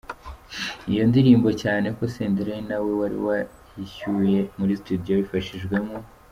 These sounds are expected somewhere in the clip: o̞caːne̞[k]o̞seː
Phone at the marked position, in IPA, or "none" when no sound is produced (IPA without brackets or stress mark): k